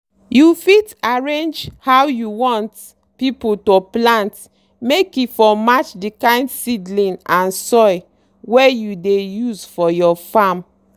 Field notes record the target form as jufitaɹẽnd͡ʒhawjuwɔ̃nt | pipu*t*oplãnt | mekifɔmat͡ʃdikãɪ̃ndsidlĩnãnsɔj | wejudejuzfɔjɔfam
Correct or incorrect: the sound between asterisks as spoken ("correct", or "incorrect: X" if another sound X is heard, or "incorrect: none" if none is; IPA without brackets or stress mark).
correct